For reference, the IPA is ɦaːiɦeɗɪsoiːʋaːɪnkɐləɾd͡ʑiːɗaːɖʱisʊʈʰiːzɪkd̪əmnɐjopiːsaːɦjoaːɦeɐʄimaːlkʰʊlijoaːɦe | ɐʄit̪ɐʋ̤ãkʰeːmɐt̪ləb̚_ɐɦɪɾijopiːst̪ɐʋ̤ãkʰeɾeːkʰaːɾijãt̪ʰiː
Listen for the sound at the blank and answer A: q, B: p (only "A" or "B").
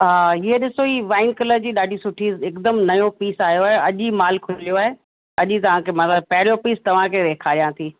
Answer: B